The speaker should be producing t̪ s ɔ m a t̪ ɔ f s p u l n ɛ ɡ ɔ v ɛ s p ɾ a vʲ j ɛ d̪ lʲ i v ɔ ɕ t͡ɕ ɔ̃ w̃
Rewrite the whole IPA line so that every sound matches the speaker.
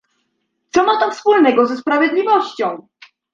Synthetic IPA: t̪ s ɔ m a t̪ ɔ f s p u l n ɛ ɡ ɔ z ɛ s p ɾ a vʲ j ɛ d̪ lʲ i v ɔ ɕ t͡ɕ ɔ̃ w̃

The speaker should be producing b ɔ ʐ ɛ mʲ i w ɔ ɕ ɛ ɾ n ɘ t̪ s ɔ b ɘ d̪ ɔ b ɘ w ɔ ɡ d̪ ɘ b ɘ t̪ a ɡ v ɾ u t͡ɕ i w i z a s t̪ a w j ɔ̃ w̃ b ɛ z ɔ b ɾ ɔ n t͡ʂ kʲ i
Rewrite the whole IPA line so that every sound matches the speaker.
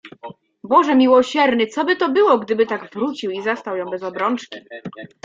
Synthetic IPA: b ɔ ʐ ɛ mʲ i w ɔ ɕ ɛ ɾ n ɘ t̪ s ɔ b ɘ t̪ ɔ b ɘ w ɔ ɡ d̪ ɘ b ɘ t̪ a ɡ v ɾ u t͡ɕ i w i z a s t̪ a w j ɔ̃ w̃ b ɛ z ɔ b ɾ ɔ n t͡ʂ kʲ i

